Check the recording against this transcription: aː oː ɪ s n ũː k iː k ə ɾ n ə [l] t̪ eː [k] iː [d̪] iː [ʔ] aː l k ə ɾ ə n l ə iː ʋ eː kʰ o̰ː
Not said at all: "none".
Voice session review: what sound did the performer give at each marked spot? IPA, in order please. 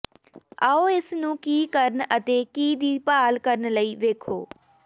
none, k, d̪, p

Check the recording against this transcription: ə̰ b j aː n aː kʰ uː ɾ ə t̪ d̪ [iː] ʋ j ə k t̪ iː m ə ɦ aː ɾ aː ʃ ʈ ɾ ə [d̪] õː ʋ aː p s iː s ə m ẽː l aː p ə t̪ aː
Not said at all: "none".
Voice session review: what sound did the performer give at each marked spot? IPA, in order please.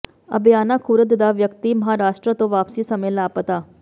aː, t̪

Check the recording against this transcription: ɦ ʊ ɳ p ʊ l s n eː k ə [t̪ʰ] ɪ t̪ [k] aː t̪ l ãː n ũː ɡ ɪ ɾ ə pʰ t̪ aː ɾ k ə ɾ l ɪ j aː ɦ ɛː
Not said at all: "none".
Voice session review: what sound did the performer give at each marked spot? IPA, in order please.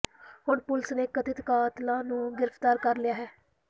t̪, k

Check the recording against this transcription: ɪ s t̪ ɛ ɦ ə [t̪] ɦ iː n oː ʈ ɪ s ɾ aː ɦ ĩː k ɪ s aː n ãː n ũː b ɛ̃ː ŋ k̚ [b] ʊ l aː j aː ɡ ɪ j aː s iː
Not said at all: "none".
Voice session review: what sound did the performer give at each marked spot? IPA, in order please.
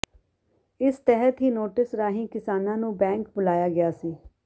t̪, b

